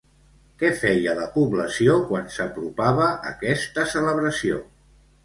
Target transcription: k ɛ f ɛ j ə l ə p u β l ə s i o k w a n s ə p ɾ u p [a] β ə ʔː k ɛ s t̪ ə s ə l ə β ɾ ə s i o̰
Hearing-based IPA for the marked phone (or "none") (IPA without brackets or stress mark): a